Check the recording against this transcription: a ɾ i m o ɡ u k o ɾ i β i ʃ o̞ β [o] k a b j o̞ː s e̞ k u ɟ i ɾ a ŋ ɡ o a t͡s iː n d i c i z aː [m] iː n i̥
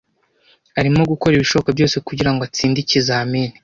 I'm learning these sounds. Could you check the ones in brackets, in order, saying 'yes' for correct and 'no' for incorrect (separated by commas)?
yes, yes